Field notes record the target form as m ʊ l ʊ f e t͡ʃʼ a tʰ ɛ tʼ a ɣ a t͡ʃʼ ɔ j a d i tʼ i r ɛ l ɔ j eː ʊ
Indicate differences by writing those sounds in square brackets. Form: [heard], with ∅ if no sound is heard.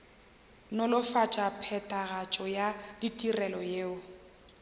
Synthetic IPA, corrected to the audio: [n] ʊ l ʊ f [a] t͡ʃʼ a [pʰ] ɛ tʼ a ɣ a t͡ʃʼ ɔ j a d i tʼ i r ɛ l ɔ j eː ʊ